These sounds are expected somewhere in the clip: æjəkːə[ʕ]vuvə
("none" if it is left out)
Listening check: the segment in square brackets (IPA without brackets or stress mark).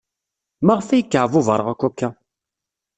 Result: ʕ